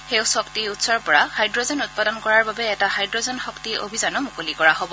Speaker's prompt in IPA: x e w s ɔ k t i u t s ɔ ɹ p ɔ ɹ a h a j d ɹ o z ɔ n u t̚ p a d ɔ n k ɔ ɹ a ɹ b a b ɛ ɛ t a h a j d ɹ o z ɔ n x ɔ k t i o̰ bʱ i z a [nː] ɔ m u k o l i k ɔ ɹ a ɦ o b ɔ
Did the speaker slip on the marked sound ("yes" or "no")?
yes